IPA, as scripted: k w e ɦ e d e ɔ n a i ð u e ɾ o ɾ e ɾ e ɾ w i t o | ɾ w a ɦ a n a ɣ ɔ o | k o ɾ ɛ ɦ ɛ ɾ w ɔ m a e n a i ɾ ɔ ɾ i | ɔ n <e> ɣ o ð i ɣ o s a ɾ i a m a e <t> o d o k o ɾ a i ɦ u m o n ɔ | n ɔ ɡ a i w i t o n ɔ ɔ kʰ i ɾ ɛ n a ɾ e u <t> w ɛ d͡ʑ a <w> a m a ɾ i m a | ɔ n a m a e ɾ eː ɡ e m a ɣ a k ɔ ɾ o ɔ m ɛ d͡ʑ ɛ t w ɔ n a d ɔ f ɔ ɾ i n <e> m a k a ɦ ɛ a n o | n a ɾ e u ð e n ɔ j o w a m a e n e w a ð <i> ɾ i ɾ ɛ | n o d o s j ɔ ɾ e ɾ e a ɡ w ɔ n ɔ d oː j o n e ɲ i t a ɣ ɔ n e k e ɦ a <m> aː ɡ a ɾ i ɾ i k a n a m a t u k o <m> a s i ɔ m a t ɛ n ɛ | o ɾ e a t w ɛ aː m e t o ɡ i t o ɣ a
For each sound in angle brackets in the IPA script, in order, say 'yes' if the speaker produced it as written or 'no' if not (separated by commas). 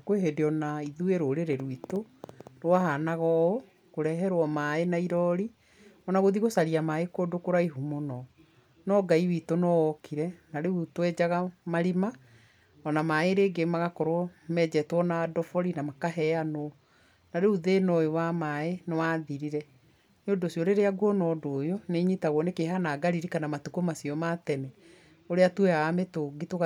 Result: no, no, yes, no, no, yes, no, yes